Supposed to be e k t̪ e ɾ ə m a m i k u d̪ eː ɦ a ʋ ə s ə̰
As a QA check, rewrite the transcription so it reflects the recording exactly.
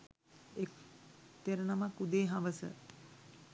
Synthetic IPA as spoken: e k t̪ e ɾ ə n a m a k u d̪ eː ɦ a ʋ ə s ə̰